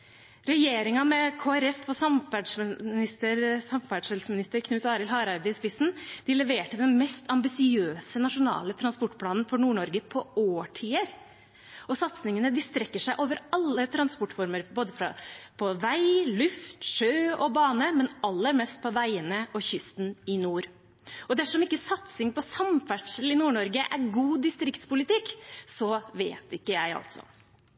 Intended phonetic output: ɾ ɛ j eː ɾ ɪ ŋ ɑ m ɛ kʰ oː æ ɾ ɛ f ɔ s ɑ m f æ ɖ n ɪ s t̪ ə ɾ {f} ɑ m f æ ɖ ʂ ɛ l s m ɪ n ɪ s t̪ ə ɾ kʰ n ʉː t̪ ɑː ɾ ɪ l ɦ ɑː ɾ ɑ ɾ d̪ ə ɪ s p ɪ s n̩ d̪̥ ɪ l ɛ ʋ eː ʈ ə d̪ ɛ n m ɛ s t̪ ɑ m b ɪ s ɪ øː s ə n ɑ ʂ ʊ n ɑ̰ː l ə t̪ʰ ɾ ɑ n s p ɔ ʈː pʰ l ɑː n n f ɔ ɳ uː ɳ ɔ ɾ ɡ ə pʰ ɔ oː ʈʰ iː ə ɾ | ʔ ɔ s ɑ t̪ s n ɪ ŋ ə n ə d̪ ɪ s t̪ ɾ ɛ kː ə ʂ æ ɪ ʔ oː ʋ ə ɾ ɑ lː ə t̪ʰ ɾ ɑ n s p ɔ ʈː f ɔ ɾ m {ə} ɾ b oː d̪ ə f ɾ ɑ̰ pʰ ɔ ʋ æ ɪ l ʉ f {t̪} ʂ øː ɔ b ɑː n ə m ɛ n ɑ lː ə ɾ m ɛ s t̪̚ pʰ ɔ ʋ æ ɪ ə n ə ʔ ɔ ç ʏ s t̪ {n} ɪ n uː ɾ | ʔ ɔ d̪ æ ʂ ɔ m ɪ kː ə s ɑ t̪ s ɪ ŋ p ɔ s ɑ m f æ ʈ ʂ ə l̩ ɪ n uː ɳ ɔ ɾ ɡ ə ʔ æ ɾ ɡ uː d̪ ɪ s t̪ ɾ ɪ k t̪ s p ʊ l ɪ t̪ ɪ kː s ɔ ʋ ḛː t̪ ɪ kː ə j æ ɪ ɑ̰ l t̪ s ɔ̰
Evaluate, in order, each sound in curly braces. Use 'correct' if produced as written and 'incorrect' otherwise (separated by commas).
incorrect, correct, correct, correct